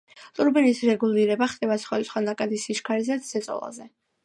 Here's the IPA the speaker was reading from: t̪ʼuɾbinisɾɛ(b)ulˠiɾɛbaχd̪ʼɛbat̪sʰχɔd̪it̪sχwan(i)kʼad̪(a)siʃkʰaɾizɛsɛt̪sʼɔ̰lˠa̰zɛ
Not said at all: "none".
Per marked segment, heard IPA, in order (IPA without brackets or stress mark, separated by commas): ɡ, a, i